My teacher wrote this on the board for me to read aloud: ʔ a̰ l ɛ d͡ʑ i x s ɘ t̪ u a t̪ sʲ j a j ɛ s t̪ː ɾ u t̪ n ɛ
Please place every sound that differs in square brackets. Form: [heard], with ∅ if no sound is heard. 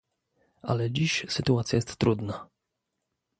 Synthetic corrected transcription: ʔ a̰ l ɛ d͡ʑ i [ɕ] s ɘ t̪ u a t̪ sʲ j a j ɛ s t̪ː ɾ u [d̪] n [a]

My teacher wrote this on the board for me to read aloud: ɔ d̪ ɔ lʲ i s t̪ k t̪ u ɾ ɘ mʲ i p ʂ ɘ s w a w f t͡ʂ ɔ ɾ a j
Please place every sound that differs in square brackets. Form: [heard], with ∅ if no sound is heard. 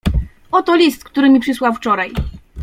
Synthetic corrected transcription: ɔ [t̪] ɔ lʲ i s t̪ k t̪ u ɾ ɘ mʲ i p ʂ ɘ s w a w f t͡ʂ ɔ ɾ a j

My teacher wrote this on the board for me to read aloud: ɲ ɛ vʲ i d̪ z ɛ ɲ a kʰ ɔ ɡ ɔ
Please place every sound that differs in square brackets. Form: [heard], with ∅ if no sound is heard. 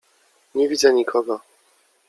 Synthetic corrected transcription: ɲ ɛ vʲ i d̪ z ɛ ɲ [i] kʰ ɔ ɡ ɔ

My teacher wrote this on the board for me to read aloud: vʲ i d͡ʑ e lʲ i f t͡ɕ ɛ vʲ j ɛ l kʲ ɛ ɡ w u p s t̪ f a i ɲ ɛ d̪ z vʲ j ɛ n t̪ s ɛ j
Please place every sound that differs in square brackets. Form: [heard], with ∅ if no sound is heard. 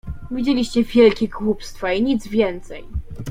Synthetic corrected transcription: vʲ i d͡ʑ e lʲ i [ɕ] t͡ɕ ɛ vʲ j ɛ l kʲ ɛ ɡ w u p s t̪ f a i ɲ [i] d̪ z vʲ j ɛ n t̪ s ɛ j

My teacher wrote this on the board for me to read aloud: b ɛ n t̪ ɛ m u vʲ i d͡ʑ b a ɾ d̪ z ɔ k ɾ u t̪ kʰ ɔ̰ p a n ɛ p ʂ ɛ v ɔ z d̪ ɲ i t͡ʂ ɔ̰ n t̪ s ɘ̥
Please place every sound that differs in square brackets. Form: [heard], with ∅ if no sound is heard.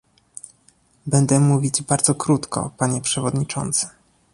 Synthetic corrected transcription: b ɛ n [d̪] ɛ m u vʲ i d͡ʑ b a ɾ d̪ z ɔ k ɾ u t̪ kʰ ɔ̰ p a [ɲ] ɛ p ʂ ɛ v ɔ [∅] d̪ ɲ i t͡ʂ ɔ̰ n t̪ s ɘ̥

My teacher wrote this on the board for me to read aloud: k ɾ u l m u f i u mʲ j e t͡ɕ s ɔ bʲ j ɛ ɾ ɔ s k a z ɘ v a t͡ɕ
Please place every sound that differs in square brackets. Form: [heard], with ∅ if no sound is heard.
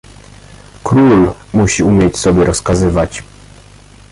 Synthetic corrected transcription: k ɾ u l m u [ɕ] i u mʲ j e t͡ɕ s ɔ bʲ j ɛ ɾ ɔ s k a z ɘ v a t͡ɕ

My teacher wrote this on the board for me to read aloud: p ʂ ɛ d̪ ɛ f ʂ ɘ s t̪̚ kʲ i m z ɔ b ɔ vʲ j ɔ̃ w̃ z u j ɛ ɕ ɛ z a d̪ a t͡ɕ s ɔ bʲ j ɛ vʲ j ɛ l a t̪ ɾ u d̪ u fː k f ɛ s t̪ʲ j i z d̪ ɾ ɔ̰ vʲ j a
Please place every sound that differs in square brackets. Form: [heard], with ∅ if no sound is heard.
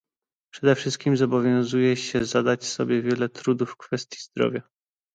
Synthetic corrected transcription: p ʂ ɛ d̪ ɛ f ʂ ɘ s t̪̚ kʲ i m z ɔ b ɔ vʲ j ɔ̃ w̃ z u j ɛ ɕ ɛ z a d̪ a t͡ɕ s ɔ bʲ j ɛ vʲ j ɛ l [ɛ] t̪ ɾ u d̪ u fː k f ɛ s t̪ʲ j i z d̪ ɾ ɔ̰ vʲ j a

